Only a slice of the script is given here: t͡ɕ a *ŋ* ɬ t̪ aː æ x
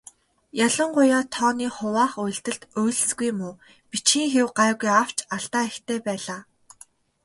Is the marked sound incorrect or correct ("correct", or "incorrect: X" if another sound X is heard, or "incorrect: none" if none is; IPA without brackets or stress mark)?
incorrect: none